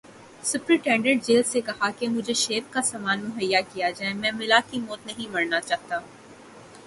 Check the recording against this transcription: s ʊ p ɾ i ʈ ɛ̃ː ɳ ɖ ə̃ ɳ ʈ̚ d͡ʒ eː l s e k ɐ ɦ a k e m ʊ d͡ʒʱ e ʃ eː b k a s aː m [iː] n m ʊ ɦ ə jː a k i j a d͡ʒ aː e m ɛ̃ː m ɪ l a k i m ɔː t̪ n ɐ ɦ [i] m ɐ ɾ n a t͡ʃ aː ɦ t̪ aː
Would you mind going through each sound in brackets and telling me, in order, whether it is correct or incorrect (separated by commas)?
incorrect, incorrect